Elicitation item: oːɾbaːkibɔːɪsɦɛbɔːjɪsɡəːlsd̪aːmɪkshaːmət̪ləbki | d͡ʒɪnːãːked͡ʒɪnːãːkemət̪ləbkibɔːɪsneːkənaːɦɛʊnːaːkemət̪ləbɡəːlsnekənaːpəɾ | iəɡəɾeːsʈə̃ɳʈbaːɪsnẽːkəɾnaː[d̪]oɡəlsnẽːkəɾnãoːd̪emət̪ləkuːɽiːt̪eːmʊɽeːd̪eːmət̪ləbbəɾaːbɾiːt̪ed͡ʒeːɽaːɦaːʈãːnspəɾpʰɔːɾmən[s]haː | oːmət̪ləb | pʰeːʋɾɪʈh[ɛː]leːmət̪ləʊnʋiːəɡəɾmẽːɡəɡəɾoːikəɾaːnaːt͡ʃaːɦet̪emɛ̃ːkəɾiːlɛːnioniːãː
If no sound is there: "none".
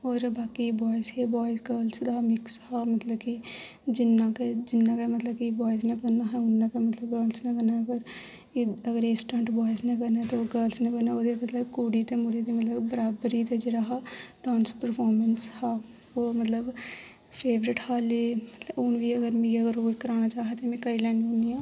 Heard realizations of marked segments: t̪, s, aː

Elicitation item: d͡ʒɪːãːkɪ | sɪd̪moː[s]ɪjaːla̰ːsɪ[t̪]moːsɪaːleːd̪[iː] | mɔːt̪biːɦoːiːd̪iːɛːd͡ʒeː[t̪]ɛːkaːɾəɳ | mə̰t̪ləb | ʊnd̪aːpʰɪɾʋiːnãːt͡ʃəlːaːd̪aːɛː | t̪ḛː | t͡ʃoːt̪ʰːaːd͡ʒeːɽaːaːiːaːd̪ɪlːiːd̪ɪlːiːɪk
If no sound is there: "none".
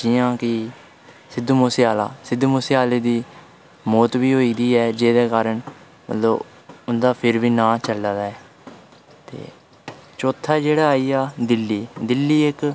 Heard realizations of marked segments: s, d̪, iː, d̪

